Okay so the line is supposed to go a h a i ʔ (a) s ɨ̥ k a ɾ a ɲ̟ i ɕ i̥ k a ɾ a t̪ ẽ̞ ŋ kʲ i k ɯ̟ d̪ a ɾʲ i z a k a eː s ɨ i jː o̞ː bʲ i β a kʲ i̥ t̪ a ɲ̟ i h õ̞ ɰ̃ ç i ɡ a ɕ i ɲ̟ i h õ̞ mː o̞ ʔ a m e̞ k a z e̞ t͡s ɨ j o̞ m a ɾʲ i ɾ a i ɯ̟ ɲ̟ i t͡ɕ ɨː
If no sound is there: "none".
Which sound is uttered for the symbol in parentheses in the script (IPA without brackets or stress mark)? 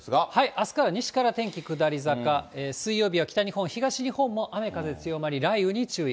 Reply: a